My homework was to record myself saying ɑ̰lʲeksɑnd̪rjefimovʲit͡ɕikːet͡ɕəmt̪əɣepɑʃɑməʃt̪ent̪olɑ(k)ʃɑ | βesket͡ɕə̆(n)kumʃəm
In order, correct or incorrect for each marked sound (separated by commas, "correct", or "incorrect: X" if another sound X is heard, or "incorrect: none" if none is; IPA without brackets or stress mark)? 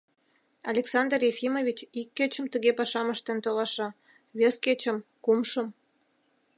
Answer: incorrect: none, incorrect: m